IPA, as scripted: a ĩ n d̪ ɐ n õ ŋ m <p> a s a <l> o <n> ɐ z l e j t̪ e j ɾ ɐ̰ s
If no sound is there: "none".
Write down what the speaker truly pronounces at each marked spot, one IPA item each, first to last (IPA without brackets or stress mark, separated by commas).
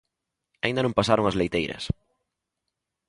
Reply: p, ɾ, ŋ